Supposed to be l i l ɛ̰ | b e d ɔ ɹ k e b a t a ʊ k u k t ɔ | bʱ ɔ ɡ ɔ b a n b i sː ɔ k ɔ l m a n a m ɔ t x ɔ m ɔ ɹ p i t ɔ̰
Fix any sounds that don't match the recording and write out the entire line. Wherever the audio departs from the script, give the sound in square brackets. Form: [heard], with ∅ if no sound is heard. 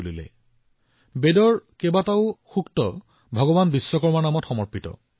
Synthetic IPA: l i l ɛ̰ | b e d ɔ ɹ k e b a t a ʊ [x] u k t ɔ | bʱ ɔ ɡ ɔ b a n b i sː ɔ k ɔ [ɹ] m a n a m ɔ t x ɔ m ɔ ɹ p i t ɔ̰